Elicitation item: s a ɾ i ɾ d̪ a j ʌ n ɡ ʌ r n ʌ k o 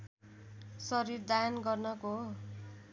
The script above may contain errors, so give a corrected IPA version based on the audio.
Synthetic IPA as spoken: s ʌ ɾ i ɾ d̪ a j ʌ n ɡ ʌ r n ʌ k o